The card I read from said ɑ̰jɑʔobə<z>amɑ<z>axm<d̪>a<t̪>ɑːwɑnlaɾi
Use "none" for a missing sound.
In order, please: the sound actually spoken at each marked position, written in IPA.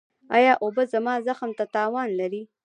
z, z, t̪, t̪

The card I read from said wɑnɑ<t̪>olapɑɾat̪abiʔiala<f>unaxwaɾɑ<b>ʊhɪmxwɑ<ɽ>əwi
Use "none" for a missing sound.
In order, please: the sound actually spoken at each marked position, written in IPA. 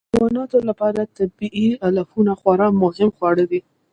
t̪, f, m, ɽ

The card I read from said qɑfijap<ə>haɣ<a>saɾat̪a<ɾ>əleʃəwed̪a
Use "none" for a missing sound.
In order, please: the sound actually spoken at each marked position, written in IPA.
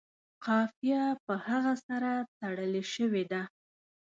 ə, a, ɽ

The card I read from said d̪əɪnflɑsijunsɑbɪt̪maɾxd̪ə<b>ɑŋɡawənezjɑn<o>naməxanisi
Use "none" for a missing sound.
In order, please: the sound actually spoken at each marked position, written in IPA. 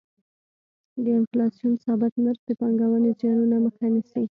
p, u

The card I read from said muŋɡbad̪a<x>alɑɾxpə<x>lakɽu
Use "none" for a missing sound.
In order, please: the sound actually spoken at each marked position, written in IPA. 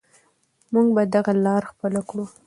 ɣ, none

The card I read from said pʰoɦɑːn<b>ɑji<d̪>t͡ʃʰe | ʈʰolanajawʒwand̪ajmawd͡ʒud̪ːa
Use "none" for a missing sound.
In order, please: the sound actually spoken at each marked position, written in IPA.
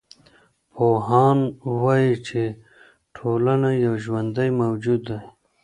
w, none

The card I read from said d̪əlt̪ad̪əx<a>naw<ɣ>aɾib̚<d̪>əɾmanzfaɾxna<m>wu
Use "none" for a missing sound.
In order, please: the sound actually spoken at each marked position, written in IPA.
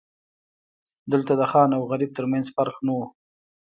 ɑ, ɣ, t̪, none

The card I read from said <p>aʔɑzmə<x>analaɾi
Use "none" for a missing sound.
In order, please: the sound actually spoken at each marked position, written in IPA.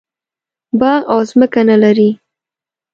b, k

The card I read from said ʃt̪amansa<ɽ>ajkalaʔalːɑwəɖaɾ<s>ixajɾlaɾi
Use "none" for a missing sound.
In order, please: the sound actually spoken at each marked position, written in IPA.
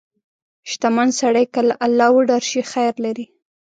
ɽ, ʃ

